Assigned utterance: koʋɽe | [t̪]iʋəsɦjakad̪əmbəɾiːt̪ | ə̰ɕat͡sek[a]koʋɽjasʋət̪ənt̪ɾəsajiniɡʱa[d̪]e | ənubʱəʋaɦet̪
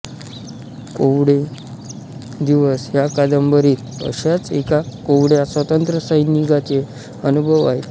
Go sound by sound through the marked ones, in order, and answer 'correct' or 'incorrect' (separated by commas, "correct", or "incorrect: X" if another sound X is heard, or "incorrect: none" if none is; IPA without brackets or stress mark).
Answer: incorrect: d̪, correct, incorrect: t̪